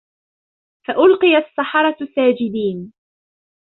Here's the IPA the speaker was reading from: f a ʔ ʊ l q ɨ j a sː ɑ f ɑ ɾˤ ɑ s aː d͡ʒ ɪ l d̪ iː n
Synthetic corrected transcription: f a ʔ ʊ l q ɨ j a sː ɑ ħ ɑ ɾˤ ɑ s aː d͡ʒ ɪ d̪ iː n